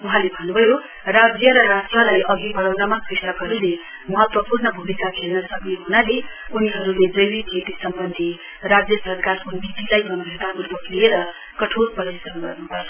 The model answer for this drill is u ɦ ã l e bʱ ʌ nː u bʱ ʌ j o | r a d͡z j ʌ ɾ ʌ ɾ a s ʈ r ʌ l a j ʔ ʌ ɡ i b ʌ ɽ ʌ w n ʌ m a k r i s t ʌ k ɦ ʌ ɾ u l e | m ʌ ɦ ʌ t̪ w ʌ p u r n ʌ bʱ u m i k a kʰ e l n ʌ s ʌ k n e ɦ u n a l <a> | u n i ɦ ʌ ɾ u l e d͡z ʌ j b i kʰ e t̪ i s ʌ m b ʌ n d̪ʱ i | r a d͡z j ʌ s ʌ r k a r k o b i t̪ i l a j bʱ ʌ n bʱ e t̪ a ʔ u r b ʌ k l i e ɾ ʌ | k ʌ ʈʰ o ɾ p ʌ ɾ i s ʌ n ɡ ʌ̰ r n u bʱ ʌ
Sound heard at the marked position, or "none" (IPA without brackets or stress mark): e